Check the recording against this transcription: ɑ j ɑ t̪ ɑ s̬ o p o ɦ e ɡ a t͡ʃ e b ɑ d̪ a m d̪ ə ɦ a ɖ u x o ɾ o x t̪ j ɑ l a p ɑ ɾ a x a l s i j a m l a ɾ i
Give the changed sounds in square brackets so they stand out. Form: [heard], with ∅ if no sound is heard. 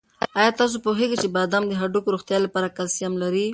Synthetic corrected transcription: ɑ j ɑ t̪ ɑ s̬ o p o ɦ e ɡ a t͡ʃ e b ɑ d̪ a m d̪ ə ɦ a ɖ u [k] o ɾ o x t̪ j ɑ l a p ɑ ɾ a [k] a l s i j a m l a ɾ i